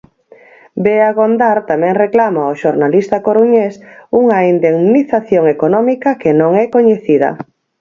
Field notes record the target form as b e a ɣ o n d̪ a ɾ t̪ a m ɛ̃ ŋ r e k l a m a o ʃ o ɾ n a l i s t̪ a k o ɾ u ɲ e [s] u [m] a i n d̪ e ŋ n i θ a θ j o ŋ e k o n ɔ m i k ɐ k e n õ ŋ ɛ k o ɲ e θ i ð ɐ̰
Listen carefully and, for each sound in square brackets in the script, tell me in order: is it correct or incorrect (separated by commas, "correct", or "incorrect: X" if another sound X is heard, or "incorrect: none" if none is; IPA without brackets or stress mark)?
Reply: correct, incorrect: ŋ